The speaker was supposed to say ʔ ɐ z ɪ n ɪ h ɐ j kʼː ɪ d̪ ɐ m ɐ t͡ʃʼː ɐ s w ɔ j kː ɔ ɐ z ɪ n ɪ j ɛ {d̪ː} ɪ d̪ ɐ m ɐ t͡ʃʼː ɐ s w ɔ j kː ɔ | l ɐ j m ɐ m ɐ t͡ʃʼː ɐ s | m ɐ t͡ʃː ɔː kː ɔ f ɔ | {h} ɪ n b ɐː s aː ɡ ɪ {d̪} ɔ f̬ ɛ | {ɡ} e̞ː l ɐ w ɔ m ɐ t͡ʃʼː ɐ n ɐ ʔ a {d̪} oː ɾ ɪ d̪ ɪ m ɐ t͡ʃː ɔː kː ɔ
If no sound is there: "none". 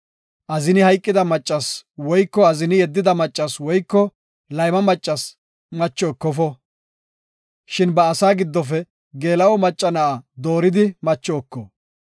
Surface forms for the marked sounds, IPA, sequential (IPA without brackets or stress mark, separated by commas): d̪ː, ʃ, d̪ː, ɡ, d̪